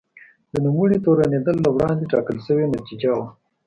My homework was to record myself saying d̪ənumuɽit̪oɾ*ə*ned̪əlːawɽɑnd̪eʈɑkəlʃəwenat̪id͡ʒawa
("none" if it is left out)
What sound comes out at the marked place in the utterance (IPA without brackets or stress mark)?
a